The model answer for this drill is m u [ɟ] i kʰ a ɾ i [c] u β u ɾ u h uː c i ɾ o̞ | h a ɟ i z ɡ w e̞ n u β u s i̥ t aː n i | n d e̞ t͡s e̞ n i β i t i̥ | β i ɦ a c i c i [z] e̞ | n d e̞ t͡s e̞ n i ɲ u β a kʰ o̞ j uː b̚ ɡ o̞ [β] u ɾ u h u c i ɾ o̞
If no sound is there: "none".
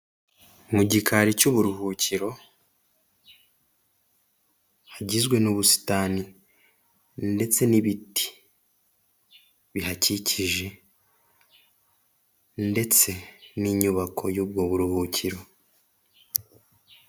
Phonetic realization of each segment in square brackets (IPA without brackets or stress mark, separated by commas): ɟ, c, ʒ, β